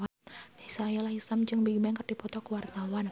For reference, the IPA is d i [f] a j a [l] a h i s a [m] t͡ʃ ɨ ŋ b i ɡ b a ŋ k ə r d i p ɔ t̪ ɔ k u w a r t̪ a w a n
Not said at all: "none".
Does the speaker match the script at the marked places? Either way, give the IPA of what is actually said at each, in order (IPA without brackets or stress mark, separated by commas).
s, l, m